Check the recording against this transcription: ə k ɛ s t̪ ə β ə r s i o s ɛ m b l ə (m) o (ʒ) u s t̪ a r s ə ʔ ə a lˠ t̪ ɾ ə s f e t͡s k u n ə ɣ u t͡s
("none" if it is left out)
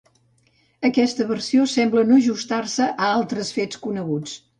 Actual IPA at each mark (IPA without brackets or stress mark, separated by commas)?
n, ʒ